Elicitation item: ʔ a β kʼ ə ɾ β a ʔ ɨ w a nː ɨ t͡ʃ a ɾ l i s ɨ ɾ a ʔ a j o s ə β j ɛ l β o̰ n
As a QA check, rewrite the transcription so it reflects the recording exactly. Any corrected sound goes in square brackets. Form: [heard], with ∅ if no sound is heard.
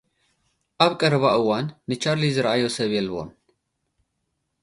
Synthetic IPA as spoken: ʔ a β kʼ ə ɾ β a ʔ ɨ w a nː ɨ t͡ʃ a ɾ l i [z] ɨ ɾ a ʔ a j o s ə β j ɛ l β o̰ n